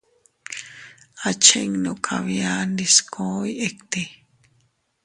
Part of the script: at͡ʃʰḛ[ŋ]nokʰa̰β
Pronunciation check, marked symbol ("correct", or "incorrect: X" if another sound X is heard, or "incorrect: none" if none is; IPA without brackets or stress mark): correct